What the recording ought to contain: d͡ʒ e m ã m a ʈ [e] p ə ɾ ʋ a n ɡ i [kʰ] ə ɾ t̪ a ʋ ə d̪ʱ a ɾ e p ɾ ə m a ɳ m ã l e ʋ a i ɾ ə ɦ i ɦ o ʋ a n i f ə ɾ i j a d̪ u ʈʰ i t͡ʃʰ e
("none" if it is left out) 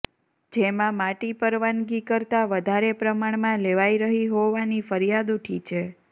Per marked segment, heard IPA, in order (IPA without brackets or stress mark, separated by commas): i, k